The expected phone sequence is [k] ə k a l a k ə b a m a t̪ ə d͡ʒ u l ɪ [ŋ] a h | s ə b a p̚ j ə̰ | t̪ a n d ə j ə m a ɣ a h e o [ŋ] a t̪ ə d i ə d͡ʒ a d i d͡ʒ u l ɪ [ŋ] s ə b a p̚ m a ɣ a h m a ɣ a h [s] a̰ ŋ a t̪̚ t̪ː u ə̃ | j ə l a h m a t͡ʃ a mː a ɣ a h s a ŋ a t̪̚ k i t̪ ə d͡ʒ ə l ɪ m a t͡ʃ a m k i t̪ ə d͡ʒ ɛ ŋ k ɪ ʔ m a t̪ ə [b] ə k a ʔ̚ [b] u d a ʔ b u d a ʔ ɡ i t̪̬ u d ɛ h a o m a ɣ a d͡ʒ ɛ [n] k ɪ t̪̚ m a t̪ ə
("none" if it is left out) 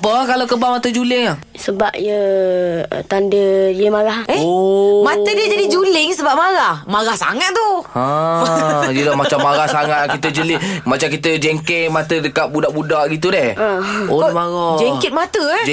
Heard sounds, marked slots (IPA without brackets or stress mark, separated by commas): p, ŋ, m, ŋ, s, d, b, ŋ